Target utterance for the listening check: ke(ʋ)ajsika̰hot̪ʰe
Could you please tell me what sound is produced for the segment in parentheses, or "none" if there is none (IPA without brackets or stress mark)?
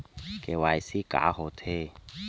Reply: w